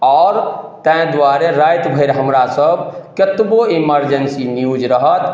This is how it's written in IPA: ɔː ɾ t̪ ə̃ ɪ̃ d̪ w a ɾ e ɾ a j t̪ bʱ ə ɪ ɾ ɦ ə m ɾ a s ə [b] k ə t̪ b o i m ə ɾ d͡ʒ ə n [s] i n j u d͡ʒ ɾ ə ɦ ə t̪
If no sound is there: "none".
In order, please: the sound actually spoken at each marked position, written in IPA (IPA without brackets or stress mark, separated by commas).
b, s